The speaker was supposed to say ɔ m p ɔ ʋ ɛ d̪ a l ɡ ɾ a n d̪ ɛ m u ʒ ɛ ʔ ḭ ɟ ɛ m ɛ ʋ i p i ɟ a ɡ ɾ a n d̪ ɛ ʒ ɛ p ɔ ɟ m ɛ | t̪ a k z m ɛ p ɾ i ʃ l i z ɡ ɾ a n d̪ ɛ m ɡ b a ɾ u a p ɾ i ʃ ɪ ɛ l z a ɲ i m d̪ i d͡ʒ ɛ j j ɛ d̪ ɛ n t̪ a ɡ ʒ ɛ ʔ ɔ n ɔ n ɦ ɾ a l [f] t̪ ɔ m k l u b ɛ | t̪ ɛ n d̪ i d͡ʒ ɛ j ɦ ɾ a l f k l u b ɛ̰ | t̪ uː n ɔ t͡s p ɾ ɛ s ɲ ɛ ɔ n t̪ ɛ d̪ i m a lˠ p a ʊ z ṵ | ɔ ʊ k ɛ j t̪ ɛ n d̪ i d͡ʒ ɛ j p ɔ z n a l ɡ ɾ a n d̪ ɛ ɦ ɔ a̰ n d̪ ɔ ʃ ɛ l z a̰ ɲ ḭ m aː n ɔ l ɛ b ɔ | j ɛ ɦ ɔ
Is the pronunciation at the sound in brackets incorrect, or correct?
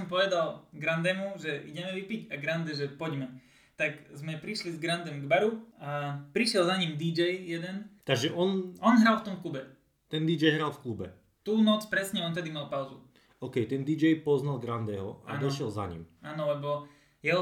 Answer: correct